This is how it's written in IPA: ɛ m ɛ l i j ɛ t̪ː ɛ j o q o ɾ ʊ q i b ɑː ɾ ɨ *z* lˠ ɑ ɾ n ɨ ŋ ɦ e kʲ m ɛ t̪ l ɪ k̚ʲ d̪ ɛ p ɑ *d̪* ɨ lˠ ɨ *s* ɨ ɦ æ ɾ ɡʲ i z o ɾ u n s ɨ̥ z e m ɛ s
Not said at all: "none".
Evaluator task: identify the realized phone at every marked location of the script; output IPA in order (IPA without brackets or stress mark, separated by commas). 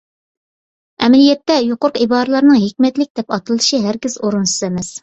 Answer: none, t̪, ʃ